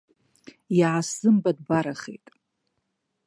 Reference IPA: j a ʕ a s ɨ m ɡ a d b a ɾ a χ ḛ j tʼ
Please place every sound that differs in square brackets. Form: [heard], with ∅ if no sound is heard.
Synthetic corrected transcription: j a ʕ a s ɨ m [b] a d b a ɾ a χ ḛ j tʼ